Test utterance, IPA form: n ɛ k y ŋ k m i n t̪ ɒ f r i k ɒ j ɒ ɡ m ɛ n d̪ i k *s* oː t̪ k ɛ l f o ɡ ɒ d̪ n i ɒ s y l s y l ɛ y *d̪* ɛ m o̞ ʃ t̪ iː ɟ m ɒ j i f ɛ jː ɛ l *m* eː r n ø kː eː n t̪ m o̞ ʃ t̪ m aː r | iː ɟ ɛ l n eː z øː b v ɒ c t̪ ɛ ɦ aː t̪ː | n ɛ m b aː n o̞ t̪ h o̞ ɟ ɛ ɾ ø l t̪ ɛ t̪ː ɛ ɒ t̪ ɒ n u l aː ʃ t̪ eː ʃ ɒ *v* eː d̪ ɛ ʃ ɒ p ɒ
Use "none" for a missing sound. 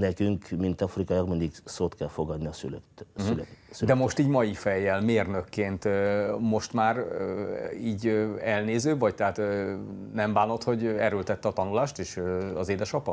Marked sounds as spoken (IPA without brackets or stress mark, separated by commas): s, d̪, m, z